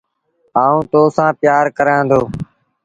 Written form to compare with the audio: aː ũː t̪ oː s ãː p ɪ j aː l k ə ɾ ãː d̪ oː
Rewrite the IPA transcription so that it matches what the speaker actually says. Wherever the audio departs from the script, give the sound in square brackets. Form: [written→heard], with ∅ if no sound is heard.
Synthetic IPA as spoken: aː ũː t̪ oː s ãː p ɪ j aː [l→ɾ] k ə ɾ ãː d̪ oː